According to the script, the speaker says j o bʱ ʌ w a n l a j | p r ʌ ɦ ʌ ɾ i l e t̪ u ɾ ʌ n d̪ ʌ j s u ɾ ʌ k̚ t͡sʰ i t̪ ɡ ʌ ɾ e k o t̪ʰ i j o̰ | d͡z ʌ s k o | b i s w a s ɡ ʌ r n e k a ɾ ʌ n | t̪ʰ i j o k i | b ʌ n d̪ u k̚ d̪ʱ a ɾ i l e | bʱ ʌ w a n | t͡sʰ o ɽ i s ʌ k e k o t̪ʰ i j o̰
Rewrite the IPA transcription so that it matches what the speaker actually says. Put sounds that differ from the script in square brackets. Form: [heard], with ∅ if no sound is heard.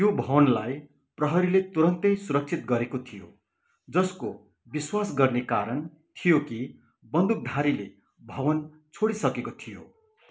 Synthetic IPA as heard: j o bʱ ʌ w [ʌ] n l a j | p r ʌ ɦ ʌ ɾ i l e t̪ u ɾ ʌ n [t̪] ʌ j s u ɾ ʌ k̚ t͡sʰ i t̪ ɡ ʌ ɾ e k o t̪ʰ i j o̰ | d͡z ʌ s k o | b i s w a s ɡ ʌ r n e k a ɾ ʌ n | t̪ʰ i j o k i | b ʌ n d̪ u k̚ d̪ʱ a ɾ i l e | bʱ ʌ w [ʌ] n | t͡sʰ o ɽ i s ʌ k e k o t̪ʰ i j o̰